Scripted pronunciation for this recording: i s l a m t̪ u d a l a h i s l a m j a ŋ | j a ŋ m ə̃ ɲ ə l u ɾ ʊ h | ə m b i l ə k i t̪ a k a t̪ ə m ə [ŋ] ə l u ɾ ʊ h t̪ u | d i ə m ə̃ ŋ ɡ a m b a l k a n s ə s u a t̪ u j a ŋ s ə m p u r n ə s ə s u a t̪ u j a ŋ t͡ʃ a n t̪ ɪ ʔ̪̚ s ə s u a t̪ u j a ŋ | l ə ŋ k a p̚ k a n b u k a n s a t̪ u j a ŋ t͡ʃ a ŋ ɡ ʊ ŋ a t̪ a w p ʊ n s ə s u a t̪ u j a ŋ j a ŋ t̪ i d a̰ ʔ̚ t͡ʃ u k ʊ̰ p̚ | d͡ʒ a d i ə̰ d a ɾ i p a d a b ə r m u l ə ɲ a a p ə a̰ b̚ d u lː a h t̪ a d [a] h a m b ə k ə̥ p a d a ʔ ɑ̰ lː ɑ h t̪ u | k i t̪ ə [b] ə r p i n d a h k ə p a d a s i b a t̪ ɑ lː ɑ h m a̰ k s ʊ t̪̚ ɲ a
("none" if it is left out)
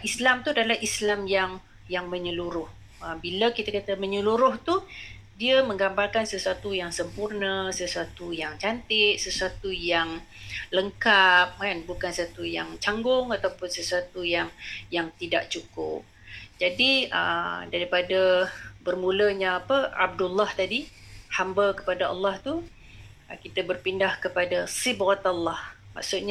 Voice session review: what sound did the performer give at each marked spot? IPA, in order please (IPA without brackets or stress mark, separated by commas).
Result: ɲ, i, b